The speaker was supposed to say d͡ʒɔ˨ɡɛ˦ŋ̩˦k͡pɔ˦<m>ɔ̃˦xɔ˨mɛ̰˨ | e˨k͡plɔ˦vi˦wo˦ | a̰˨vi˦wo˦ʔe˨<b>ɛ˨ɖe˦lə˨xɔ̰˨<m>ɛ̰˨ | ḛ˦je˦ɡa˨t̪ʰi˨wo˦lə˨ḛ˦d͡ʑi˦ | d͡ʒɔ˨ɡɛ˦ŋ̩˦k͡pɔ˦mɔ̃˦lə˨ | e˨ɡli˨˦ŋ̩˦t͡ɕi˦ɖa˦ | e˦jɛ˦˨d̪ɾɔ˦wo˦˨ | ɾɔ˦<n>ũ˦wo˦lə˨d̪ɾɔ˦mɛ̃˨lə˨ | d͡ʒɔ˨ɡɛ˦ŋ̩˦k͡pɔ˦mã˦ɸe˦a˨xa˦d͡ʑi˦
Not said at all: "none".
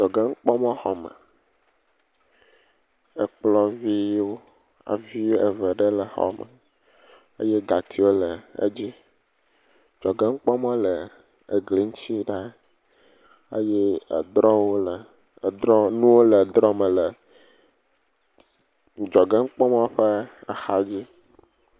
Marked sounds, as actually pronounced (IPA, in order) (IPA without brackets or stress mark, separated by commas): m, v, m, n